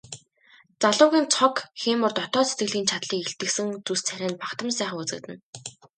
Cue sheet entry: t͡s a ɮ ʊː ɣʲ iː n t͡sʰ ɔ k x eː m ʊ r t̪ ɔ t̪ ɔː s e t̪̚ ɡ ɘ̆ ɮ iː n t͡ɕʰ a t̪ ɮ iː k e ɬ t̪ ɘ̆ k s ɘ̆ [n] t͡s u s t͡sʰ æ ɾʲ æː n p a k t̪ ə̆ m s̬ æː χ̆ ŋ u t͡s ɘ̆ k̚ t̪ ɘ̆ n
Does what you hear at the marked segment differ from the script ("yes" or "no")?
yes